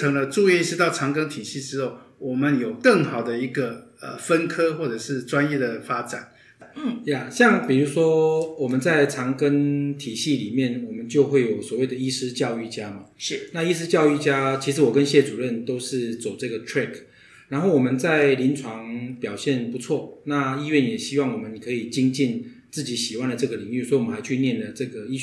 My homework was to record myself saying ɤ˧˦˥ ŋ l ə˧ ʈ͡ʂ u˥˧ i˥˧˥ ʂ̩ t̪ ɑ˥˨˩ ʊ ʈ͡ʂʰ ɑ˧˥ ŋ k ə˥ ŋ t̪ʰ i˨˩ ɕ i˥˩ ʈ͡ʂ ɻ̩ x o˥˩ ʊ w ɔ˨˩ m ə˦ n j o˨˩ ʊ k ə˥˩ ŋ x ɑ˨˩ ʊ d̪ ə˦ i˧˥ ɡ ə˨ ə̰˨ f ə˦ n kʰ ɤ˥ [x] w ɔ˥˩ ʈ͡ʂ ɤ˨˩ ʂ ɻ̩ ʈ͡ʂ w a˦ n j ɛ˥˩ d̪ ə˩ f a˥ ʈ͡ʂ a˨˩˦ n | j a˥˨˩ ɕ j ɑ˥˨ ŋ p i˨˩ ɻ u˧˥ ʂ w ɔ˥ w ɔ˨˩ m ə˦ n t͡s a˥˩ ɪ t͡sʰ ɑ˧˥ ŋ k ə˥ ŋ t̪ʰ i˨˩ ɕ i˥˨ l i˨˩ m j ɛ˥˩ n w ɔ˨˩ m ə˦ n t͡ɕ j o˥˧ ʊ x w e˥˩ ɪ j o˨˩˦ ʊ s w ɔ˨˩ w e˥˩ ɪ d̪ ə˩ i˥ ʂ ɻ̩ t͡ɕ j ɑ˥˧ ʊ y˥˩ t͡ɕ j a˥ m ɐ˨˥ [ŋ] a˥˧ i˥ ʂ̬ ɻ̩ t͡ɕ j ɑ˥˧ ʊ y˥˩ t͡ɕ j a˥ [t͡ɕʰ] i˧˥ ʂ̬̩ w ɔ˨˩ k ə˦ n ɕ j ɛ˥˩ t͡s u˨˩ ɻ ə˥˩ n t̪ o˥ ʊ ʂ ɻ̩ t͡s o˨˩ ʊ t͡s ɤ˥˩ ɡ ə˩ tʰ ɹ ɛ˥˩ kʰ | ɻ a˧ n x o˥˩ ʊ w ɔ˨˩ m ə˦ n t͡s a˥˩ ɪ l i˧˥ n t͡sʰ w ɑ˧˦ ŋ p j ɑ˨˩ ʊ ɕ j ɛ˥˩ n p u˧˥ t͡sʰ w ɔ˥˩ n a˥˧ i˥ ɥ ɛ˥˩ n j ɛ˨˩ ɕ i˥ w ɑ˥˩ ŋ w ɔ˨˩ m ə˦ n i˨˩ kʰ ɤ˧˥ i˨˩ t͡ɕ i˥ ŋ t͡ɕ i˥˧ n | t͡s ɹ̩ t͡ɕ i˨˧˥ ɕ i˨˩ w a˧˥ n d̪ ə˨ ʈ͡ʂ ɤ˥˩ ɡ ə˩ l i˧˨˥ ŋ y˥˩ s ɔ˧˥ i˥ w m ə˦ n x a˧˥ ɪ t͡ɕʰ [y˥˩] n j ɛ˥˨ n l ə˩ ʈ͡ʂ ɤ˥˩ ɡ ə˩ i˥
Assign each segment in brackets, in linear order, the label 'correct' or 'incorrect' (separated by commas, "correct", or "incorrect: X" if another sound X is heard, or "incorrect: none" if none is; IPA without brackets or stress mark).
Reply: correct, incorrect: n, correct, incorrect: y˥˧